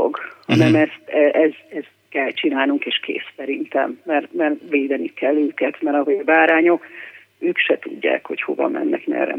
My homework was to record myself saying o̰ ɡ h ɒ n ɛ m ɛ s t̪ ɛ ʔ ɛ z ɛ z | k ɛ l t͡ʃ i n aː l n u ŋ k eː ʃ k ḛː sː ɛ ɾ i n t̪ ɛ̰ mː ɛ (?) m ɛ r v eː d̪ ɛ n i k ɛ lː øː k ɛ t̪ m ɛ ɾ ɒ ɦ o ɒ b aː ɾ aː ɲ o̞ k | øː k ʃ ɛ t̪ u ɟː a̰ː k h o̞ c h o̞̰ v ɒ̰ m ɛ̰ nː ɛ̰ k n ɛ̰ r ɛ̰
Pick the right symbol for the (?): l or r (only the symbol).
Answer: r